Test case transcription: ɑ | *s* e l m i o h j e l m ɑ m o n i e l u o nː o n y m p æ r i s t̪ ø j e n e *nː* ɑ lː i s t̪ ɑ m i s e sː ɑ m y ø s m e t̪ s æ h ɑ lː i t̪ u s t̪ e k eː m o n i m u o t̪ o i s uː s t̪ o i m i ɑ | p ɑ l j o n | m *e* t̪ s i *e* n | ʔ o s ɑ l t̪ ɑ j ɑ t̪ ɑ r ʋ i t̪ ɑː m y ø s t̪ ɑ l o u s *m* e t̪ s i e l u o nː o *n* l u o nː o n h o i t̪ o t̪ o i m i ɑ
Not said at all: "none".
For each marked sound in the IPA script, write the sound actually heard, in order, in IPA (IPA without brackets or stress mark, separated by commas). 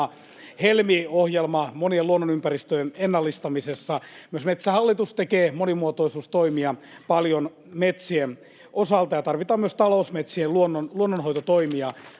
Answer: h, nː, e, e, m, n